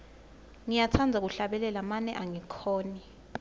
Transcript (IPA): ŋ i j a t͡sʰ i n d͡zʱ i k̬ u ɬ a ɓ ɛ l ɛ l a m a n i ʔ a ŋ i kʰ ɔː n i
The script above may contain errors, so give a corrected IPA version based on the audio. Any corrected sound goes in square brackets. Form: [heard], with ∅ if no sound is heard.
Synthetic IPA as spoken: ŋ i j a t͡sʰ [a] n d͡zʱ [a] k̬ u ɬ a ɓ ɛ l ɛ l a m a n [ɛ] ʔ a ŋ i kʰ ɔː n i